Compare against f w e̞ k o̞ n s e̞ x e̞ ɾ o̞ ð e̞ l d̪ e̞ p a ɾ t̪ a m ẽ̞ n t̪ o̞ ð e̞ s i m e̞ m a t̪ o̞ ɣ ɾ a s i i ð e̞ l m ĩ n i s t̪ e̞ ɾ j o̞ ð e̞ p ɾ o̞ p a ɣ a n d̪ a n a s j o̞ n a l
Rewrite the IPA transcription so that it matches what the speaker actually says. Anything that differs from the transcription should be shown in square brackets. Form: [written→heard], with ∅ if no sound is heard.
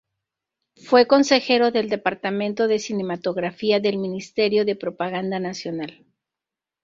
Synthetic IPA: f w e̞ k o̞ n s e̞ x e̞ ɾ o̞ ð e̞ l d̪ e̞ p a ɾ t̪ a m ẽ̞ n t̪ o̞ ð e̞ s i [m→n] e̞ m a t̪ o̞ ɣ ɾ a [s→f] i [i→a] ð e̞ l m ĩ n i s t̪ e̞ ɾ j o̞ ð e̞ p ɾ o̞ p a ɣ a n d̪ a n a s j o̞ n a l

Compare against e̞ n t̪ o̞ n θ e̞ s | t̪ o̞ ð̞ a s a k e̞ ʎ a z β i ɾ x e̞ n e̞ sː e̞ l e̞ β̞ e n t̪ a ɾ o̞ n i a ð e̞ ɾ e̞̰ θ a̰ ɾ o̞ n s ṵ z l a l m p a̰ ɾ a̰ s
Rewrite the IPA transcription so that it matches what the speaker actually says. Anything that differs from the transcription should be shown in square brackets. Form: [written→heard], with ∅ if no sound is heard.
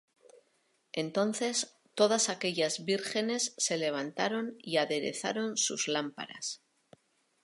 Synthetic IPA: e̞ n t̪ o̞ n θ e̞ s | t̪ o̞ ð̞ a s a k e̞ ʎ a z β i ɾ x e̞ n e̞ sː e̞ l e̞ β̞ [e→a] n t̪ a ɾ o̞ n i a ð e̞ ɾ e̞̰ θ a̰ ɾ o̞ n s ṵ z l a [l→∅] m p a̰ ɾ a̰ s

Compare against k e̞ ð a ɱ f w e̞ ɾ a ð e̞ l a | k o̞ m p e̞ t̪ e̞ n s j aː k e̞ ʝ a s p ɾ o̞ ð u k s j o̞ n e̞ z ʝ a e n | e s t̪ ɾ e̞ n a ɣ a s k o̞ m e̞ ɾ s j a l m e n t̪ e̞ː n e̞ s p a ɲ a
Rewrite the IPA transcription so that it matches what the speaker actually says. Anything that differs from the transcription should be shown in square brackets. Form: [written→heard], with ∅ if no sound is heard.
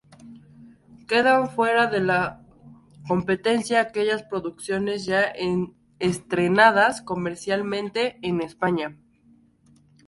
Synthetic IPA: k e̞ ð a ɱ f w e̞ ɾ a ð e̞ l a | k o̞ m p e̞ t̪ e̞ n s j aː k e̞ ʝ a s p ɾ o̞ ð u k s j o̞ n e̞ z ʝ a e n | e s t̪ ɾ e̞ n a [ɣ→ð] a s k o̞ m e̞ ɾ s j a l m [e→ẽ] n t̪ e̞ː n e̞ s p a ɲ a

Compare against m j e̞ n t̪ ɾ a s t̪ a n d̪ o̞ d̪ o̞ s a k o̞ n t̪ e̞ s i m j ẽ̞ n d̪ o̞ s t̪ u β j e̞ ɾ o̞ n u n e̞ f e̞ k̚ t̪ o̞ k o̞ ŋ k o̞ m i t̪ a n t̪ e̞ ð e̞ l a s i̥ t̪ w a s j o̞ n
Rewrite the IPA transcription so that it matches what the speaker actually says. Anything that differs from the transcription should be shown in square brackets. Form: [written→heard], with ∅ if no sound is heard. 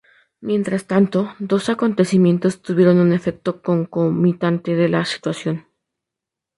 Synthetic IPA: m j e̞ n t̪ ɾ a s t̪ a n [d̪→t̪] o̞ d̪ o̞ s a k o̞ n t̪ e̞ s i m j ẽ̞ n [d̪→t̪] o̞ s t̪ u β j e̞ ɾ o̞ n u n e̞ f e̞ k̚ t̪ o̞ k o̞ ŋ k o̞ m i t̪ a n t̪ e̞ ð e̞ l a s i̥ t̪ w a s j o̞ n

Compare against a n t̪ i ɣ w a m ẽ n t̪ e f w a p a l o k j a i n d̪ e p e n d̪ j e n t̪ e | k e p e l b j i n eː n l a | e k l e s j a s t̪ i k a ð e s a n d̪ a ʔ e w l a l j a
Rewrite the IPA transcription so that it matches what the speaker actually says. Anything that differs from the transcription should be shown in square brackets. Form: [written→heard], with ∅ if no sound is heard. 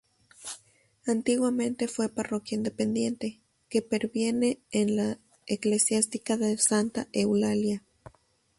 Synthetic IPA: a n t̪ i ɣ w a m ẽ n t̪ e f w [a→e] p a [l→r] o k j a i n d̪ e p e n d̪ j e n t̪ e | k e p e [l→ɾ] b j [i→e] n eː n l a | e k l e s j a s t̪ i k a ð e s a n [d̪→t̪] a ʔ e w l a l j a

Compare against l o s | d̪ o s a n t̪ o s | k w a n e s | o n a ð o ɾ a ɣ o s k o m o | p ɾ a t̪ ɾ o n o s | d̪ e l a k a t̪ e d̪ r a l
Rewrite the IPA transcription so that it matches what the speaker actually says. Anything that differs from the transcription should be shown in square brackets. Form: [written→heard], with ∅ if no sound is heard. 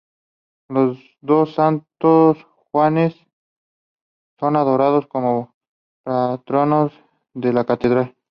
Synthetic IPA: l o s | d̪ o s a n t̪ o s | [k→x] w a n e s | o n a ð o ɾ a [ɣ→ð] o s k o m o | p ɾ a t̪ ɾ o n o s | d̪ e l a k a t̪ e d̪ [r→ɾ] a l

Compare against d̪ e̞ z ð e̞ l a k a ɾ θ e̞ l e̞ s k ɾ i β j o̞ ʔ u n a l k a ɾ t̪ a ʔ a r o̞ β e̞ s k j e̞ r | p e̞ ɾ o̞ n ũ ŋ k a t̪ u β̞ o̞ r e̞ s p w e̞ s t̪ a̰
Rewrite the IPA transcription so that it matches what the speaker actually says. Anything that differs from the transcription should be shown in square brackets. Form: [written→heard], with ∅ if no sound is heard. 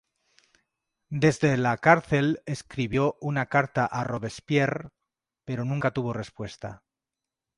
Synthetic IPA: d̪ e̞ z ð e̞ l a k a ɾ θ e̞ l e̞ s k ɾ i β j o̞ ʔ u n a [l→∅] k a ɾ t̪ a ʔ a r o̞ β e̞ s [k→p] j e̞ r | p e̞ ɾ o̞ n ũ ŋ k a t̪ u β̞ o̞ r e̞ s p w e̞ s t̪ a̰

